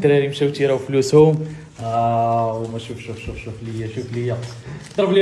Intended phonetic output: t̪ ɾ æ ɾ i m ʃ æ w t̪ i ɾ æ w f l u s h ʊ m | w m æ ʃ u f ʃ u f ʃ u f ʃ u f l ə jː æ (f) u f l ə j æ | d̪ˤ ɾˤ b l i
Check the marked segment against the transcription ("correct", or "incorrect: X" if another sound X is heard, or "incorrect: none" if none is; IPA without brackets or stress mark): incorrect: ʃ